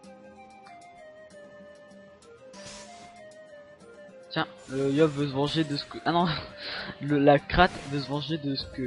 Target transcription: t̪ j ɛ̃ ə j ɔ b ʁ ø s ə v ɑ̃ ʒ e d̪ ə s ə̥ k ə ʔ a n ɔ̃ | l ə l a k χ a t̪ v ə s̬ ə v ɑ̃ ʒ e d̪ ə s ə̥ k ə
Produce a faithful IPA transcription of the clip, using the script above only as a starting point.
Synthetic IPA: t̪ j ɛ̃ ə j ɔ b v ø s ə v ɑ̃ ʒ e d̪ ə s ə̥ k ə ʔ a n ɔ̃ | l ə l a k χ a t̪ v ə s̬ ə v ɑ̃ ʒ e d̪ ə s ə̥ k ə